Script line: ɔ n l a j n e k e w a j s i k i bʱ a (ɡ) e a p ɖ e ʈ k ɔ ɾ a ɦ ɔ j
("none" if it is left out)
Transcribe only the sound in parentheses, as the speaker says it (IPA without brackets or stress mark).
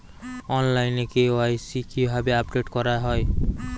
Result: b